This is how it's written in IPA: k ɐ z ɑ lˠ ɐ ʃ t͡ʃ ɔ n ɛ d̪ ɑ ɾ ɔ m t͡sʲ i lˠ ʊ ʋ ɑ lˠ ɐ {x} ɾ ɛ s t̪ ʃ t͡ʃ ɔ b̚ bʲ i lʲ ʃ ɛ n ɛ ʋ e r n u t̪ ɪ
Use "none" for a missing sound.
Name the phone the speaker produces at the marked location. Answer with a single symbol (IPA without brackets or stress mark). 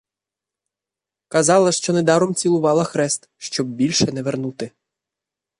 x